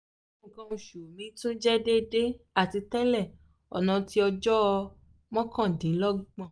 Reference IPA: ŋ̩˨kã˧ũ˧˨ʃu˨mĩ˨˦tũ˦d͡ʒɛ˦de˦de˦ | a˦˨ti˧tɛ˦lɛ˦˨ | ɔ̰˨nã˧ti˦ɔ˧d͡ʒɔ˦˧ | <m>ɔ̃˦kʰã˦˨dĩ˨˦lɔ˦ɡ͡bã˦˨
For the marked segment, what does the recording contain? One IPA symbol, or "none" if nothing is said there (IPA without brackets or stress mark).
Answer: m